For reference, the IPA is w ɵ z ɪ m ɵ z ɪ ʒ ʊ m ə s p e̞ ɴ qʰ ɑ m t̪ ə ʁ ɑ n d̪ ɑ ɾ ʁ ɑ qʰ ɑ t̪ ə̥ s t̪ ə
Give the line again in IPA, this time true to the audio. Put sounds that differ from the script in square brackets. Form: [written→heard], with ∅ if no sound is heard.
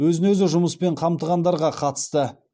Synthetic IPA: w ɵ z ɪ [m→n] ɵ z ɪ ʒ ʊ m ə s p e̞ ɴ qʰ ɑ m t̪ ə ʁ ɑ n d̪ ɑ ɾ ʁ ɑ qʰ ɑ t̪ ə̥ s t̪ ə